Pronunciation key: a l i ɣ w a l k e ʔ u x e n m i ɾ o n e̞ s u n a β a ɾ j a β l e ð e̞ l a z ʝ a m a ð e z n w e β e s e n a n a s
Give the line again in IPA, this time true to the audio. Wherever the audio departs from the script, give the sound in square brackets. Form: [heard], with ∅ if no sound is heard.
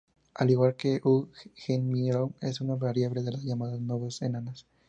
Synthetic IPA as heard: a l i ɣ w a l k e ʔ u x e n m i ɾ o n e̞ s u n a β a ɾ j a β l e ð e̞ l a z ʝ a m a ð [a] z n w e β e s e n a n a s